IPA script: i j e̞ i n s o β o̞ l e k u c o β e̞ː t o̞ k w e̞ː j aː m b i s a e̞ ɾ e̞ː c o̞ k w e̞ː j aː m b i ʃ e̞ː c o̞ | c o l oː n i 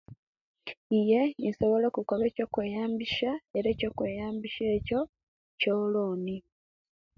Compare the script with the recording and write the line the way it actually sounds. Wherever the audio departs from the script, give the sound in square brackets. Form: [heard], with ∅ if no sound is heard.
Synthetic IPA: i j e̞ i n s o β o̞ l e k u [k] o β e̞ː [c] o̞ k w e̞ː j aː m b i [ʃ] a e̞ ɾ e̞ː c o̞ k w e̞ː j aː m b i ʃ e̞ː c o̞ | c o l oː n i